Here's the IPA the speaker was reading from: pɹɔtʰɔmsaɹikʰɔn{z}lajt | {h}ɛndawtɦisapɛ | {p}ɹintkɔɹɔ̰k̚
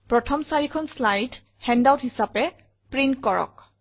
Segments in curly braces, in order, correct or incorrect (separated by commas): incorrect, correct, correct